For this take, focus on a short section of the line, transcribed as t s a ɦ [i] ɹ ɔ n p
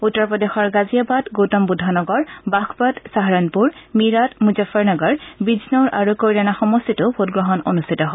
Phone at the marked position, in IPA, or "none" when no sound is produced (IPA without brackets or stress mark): a